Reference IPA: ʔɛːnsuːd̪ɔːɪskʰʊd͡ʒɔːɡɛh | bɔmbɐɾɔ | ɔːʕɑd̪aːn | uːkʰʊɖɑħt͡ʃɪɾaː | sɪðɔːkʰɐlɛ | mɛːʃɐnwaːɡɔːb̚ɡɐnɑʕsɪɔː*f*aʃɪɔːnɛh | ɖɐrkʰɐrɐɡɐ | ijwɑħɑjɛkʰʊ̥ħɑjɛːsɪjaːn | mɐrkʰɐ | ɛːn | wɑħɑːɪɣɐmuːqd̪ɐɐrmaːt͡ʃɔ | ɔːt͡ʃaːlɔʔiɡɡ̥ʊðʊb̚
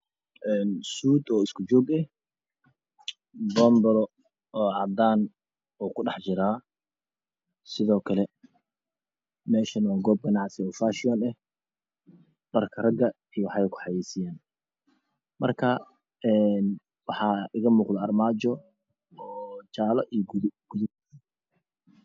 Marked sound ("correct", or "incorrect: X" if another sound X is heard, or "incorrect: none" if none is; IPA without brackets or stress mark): correct